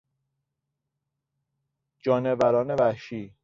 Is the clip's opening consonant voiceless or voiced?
voiced